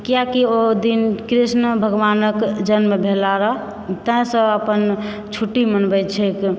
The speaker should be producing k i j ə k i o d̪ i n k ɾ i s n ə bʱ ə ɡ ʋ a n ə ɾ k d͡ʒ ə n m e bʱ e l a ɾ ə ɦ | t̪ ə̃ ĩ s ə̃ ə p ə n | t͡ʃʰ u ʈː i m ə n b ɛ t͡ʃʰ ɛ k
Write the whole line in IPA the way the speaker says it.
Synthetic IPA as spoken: k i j a k i o d̪ i n k ɾ i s n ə bʱ ə ɡ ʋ a n ə k d͡ʒ ə n m e bʱ e l a ɾ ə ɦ | t̪ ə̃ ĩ s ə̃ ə p ə n | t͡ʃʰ u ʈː i m ə n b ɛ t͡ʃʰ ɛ k